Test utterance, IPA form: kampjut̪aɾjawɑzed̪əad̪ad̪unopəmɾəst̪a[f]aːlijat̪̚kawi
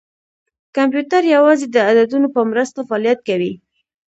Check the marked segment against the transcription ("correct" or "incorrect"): correct